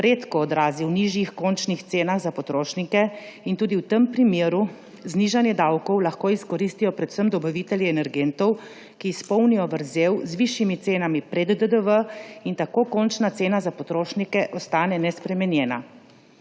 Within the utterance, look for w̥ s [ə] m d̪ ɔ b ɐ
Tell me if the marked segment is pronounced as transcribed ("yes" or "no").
yes